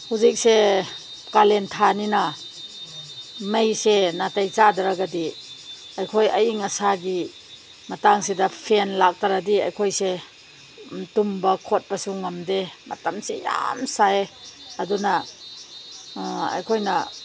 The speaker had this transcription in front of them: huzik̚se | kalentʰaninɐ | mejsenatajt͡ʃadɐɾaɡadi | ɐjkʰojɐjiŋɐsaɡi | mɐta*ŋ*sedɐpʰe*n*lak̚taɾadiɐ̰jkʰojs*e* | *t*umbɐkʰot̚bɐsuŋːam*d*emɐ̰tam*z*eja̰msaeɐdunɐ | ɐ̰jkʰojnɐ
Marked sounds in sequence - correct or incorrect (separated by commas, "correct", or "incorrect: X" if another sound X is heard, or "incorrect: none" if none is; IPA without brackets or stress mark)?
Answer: correct, correct, correct, correct, correct, incorrect: s